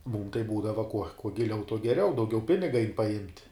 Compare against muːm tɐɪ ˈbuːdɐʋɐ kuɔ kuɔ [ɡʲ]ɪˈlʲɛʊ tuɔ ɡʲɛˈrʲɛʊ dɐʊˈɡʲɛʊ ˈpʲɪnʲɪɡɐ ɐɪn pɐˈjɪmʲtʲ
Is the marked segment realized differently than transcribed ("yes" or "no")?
no